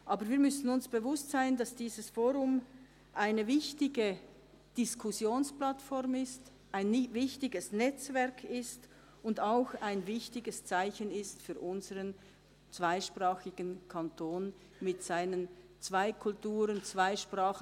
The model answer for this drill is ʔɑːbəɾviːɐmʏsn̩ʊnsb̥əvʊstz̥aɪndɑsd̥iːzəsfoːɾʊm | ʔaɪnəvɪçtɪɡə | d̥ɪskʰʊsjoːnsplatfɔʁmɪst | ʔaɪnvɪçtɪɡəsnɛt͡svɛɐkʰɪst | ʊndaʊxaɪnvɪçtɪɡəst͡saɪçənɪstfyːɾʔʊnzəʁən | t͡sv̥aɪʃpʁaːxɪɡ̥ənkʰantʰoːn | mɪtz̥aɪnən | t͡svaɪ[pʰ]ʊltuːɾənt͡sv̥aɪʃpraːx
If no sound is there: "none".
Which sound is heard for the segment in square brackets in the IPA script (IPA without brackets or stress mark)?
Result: kʰ